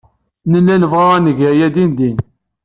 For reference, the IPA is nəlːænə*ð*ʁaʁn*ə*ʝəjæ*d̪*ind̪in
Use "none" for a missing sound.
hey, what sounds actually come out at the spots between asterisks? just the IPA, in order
v, ə, d̪

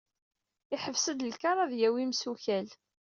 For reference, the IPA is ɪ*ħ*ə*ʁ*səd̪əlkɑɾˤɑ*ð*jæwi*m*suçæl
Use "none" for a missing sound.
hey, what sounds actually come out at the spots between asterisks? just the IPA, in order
ħ, v, ð, m

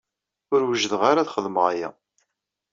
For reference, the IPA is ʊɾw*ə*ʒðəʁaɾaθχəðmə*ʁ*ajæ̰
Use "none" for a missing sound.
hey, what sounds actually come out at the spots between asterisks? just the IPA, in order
ə, ʁ

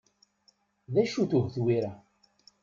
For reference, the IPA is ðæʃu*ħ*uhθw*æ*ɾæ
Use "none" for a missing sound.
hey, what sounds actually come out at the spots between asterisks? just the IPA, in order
θ, i

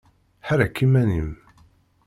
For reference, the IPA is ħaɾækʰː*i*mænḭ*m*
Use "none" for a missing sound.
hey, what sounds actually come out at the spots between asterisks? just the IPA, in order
i, m

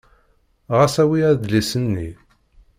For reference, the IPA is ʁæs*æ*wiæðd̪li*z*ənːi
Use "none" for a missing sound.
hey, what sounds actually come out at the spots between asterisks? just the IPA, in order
æ, s

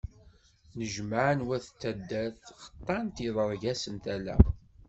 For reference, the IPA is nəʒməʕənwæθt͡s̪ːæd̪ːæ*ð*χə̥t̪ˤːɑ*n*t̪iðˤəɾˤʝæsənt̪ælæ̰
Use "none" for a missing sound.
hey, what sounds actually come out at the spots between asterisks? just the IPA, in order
θ, n

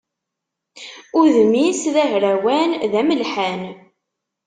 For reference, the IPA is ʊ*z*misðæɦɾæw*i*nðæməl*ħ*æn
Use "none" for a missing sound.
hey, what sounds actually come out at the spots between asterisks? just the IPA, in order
ð, æ, ħ

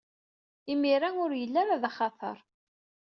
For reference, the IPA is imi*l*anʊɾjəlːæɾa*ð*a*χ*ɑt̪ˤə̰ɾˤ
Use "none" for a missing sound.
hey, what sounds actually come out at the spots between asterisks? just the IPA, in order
ɾ, ð, χ

